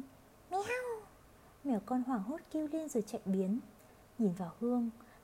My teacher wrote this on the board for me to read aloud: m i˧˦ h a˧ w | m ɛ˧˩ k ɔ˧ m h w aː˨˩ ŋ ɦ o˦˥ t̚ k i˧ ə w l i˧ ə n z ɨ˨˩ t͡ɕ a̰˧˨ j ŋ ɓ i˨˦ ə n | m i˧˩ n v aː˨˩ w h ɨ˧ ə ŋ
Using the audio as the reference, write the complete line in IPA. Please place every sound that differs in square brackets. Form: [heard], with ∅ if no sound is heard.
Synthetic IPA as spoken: m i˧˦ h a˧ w | m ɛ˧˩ k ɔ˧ [n] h w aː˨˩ ŋ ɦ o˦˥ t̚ k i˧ ə w l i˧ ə n z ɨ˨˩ t͡ɕ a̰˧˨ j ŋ ɓ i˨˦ ə n | [ɲ] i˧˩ n v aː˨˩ w h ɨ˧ ə ŋ